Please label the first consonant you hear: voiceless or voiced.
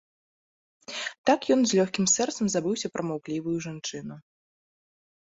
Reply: voiceless